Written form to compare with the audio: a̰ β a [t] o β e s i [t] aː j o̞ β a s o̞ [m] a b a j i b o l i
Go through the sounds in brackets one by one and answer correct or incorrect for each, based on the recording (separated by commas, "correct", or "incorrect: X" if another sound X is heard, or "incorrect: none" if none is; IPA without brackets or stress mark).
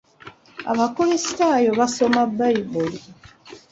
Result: incorrect: k, correct, correct